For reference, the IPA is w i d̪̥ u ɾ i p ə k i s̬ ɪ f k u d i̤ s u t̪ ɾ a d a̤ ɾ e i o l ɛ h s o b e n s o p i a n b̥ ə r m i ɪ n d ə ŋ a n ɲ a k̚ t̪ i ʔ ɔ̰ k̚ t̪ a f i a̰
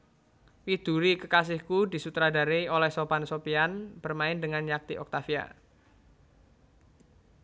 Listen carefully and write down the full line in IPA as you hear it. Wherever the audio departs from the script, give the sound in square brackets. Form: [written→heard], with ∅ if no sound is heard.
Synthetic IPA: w i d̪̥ u ɾ i [p→k] ə k [i→a] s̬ ɪ [f→h] k u d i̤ s u t̪ ɾ a d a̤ ɾ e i o l ɛ h s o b [e→a] n s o p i a n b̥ ə r m [i→a] ɪ n d ə ŋ a n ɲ a k̚ t̪ i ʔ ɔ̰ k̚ t̪ a f i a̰

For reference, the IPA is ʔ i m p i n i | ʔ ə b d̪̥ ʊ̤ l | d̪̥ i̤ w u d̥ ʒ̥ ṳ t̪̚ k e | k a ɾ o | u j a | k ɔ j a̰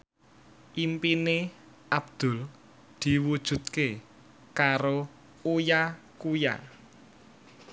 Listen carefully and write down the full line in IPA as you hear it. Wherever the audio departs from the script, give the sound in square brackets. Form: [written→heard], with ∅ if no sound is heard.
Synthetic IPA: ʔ i m p i n [i→e] | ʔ [ə→a] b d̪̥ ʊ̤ l | d̪̥ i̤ w u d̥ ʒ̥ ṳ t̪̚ k e | k a ɾ o | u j a | k [ɔ→u] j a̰

